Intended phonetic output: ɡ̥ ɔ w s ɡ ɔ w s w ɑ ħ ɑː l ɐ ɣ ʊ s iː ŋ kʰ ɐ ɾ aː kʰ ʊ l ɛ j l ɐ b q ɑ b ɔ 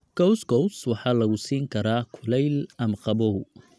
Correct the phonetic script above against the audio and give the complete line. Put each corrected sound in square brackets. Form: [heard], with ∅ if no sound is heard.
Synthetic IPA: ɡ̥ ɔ w s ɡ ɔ w s w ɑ ħ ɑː l ɐ ɣ ʊ s iː ŋ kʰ ɐ ɾ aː kʰ ʊ l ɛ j l ɐ [m] q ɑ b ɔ